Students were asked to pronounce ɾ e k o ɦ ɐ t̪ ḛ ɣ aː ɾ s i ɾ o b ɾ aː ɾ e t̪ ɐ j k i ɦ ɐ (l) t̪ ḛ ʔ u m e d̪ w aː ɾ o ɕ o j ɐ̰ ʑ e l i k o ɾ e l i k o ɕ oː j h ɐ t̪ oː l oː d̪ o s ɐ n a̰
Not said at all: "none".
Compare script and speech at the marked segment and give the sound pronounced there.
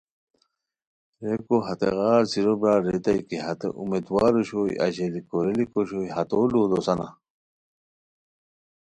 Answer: none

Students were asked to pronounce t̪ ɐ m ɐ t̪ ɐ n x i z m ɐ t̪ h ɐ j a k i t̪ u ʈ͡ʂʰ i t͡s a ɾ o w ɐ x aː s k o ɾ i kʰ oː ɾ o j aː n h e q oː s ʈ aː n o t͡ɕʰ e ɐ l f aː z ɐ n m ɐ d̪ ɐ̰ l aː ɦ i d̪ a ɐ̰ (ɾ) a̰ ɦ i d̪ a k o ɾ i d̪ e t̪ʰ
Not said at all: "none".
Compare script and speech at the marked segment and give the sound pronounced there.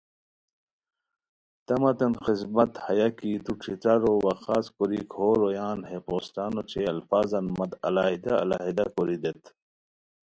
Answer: l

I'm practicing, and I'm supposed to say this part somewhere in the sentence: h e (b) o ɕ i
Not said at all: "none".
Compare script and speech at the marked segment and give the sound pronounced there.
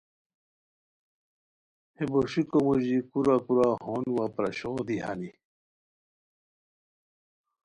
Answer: b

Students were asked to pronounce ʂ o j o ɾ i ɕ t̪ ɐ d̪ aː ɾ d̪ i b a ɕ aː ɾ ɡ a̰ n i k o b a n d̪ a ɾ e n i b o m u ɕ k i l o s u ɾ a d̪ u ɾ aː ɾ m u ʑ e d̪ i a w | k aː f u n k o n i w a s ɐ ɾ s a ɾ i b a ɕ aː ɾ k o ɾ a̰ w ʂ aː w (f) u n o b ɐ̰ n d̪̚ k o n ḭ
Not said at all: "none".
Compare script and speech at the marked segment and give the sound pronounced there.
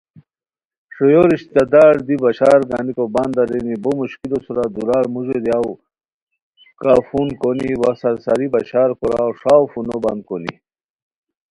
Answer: f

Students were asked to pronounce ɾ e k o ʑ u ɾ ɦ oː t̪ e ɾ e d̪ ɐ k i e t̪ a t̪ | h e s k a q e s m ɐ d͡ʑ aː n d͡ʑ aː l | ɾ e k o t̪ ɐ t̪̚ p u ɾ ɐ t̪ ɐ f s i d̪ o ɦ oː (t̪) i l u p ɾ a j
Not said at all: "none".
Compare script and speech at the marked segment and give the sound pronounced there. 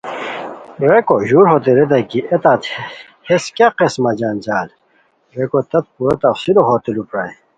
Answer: t̪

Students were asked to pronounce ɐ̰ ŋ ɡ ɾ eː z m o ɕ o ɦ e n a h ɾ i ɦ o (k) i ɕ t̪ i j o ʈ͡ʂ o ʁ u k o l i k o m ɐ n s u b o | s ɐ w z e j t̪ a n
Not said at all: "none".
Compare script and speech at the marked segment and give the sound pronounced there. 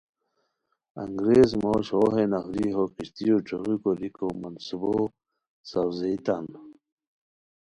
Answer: k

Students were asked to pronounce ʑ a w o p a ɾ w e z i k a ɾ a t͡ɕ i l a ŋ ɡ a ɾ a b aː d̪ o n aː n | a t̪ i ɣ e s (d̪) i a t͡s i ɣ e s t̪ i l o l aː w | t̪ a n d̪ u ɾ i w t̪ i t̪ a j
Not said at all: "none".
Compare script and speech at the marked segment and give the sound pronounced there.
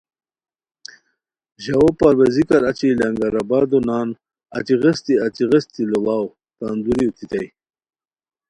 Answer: t̪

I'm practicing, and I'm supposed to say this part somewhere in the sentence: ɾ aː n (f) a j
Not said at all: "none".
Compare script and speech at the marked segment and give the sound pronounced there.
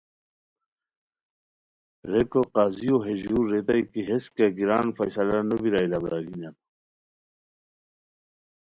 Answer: f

